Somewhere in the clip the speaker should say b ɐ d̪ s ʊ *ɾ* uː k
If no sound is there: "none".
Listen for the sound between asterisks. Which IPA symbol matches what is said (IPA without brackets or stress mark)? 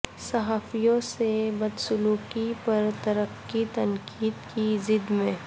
l